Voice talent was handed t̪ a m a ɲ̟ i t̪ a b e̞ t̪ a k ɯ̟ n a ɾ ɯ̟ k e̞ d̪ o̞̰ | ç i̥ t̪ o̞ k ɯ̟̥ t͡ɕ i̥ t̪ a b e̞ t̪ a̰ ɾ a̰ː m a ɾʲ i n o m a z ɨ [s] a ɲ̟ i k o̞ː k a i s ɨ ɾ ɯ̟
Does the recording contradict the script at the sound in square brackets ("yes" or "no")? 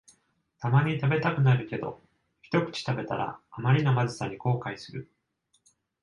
no